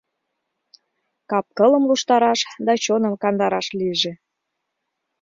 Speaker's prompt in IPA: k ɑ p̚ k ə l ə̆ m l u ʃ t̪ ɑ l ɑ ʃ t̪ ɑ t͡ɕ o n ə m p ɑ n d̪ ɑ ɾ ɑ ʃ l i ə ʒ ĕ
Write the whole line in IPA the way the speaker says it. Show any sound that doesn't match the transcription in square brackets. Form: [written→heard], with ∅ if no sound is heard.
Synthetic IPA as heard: k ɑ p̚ k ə l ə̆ m l u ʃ t̪ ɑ [l→ɾ] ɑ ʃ [t̪→d̪] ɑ t͡ɕ o n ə m [p→k] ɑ n d̪ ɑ ɾ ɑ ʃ l i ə ʒ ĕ